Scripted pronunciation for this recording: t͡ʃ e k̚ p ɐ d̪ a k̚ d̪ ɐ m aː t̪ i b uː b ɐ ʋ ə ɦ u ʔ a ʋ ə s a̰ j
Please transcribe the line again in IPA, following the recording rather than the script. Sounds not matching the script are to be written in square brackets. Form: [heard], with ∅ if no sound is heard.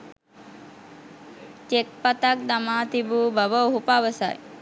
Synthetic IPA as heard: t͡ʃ e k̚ p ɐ [t̪] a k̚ d̪ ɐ m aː t̪ i b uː b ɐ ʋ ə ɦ u [p] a ʋ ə s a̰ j